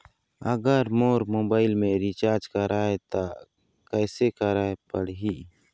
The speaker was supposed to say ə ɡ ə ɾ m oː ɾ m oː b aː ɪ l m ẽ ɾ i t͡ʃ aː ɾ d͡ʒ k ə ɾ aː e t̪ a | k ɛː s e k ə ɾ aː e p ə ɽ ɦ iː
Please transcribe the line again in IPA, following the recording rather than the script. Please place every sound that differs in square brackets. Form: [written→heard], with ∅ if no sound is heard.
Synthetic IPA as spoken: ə ɡ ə ɾ m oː ɾ m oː b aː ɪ l m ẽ ɾ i t͡ʃ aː ɾ d͡ʒ k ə ɾ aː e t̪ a | k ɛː s e k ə ɾ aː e p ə ɽ ɦ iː

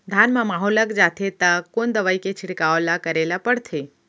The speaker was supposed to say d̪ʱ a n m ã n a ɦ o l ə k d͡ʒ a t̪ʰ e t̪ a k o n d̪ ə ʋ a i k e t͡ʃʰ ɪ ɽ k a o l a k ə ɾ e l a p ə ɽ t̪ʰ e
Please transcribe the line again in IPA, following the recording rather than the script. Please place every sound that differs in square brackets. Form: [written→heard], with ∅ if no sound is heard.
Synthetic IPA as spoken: d̪ʱ a n m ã [n→m] a ɦ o l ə k d͡ʒ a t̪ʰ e t̪ a k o n d̪ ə ʋ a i k e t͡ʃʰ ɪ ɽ k a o l a k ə ɾ e l a p ə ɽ t̪ʰ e

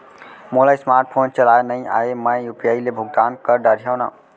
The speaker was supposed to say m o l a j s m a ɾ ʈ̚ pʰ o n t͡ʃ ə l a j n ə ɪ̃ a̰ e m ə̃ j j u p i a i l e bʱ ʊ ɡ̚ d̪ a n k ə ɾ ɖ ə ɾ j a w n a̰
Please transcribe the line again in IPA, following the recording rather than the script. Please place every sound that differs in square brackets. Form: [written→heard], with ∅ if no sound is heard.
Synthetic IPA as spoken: m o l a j s m a ɾ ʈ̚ pʰ o n t͡ʃ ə l a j n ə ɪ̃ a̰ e m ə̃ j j u p i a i l e bʱ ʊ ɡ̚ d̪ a n k ə ɾ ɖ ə ɾ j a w n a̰

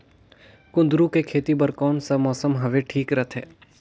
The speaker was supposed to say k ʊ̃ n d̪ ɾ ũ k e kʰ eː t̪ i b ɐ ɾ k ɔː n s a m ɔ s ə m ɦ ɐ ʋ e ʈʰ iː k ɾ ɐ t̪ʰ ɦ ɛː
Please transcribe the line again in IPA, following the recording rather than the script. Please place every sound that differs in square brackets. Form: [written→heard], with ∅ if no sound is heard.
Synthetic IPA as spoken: k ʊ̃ n d̪ ɾ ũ k e kʰ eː t̪ i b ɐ ɾ k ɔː n s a m [ɔ→ɔː] s ə m ɦ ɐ ʋ e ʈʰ iː k ɾ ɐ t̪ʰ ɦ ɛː

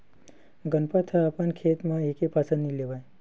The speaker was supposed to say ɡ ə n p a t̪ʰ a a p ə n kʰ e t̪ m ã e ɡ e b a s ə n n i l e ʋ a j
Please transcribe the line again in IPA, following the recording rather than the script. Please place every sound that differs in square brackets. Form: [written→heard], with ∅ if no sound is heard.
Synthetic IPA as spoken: ɡ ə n p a t̪ʰ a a p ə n kʰ e t̪ m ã e [ɡ→k] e [b→p] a s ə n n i l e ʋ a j

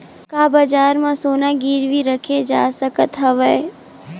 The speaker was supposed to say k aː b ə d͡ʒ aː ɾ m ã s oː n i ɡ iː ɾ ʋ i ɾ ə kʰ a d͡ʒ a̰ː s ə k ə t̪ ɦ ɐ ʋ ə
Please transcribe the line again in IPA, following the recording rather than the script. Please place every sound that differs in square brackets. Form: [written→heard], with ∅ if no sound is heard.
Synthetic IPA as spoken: k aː b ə d͡ʒ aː ɾ m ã s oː n [i→a] ɡ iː ɾ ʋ i ɾ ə kʰ [a→e] d͡ʒ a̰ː s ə k ə t̪ ɦ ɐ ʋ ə

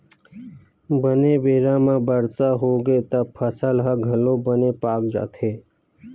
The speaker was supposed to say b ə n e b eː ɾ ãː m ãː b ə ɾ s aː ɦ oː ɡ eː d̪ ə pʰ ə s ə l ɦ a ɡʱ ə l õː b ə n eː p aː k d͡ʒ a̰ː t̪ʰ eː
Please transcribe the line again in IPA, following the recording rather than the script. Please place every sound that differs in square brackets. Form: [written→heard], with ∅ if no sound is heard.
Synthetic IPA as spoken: b ə n e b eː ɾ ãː m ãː b ə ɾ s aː ɦ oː ɡ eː [d̪→t̪] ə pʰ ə s ə l ɦ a ɡʱ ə l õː b ə n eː p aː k d͡ʒ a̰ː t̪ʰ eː

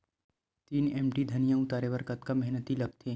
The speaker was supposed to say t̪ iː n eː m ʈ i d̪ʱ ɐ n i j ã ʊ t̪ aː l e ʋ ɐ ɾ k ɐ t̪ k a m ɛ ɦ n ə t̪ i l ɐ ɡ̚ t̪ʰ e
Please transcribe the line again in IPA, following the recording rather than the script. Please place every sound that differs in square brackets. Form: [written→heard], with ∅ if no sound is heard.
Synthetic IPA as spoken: t̪ iː n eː m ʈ i d̪ʱ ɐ n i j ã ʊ t̪ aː [l→ɾ] e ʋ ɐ ɾ k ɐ t̪ k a m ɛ ɦ n ə t̪ i l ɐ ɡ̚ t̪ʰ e

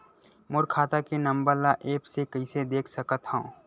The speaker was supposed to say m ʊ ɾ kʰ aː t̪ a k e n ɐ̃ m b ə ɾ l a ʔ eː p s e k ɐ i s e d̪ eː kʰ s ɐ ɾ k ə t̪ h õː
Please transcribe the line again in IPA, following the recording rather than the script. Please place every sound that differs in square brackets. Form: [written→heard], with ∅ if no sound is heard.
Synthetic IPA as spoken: m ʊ ɾ kʰ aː t̪ a k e n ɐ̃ m b ə ɾ l a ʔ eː p s e k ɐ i s e d̪ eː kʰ s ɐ [ɾ→∅] k ə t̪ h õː

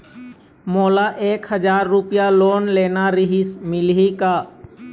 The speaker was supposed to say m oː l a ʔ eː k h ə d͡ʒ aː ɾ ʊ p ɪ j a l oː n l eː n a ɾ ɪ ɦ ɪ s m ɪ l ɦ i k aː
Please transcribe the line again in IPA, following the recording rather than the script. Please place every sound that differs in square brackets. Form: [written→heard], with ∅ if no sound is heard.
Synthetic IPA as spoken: m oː l a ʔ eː k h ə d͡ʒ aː [ɾ→ɾː] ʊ p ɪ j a l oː n l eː n a ɾ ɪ ɦ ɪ s m ɪ l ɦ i k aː

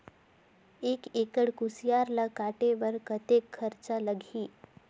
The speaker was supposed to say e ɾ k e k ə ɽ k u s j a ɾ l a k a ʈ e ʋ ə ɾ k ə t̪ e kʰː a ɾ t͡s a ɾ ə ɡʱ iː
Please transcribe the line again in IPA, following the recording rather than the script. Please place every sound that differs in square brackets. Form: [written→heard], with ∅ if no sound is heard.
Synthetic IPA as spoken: e [ɾ→∅] k e k ə ɽ k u s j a ɾ l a k a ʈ e ʋ ə ɾ k ə t̪ e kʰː [a→ə] ɾ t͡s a [ɾ→l] ə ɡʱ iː

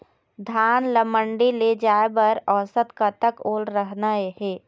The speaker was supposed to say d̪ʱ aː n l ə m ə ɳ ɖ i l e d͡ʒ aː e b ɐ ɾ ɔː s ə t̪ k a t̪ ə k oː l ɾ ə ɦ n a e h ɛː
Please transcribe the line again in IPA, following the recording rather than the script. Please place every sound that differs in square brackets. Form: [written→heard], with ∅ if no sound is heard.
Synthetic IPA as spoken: d̪ʱ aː n l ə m ə ɳ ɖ i l e d͡ʒ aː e b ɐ ɾ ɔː s ə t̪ k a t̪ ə k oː l ɾ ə ɦ n a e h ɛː

